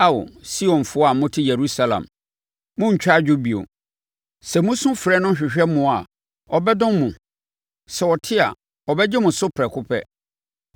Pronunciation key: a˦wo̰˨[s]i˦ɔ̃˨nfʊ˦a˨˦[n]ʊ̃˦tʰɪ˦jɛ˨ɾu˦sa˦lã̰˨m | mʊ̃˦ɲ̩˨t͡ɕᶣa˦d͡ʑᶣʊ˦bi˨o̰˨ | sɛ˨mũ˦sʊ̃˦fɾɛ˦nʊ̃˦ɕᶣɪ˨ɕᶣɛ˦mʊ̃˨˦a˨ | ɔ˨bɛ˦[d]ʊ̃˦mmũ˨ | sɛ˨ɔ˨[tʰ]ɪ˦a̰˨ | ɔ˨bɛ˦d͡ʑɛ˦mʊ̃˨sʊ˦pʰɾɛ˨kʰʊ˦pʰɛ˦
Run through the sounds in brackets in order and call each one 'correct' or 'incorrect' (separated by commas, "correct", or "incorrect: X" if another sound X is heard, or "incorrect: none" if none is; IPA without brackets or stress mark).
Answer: correct, incorrect: m, correct, correct